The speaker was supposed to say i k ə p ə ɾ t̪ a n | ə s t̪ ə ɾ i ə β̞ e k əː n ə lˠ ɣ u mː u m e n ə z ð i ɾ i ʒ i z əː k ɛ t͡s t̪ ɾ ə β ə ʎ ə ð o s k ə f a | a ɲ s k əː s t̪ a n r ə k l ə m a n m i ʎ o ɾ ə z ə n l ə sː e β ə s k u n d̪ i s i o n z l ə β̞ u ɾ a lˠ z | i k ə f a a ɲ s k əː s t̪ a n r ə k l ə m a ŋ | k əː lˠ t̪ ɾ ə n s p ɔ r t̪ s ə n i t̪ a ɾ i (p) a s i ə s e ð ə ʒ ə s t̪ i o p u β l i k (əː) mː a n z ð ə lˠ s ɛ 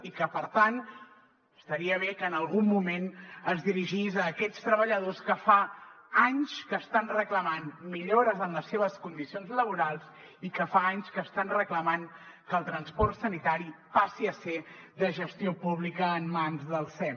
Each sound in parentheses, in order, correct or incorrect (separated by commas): correct, correct